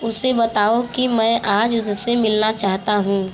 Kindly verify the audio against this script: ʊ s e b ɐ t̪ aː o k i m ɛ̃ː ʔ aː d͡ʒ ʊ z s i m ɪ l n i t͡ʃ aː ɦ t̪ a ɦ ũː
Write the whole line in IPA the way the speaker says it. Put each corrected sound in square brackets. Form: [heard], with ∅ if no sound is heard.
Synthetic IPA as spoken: ʊ s e b ɐ t̪ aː o k i m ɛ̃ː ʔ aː d͡ʒ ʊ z s [e] m ɪ l n [a] t͡ʃ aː ɦ t̪ a ɦ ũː